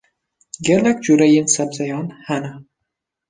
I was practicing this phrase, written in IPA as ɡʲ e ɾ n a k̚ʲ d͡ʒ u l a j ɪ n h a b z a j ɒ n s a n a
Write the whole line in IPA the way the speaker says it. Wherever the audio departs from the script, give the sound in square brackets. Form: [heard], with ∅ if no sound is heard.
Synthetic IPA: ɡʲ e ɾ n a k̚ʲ d͡ʒ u [ɾ] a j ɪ n [s] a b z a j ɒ n [h] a n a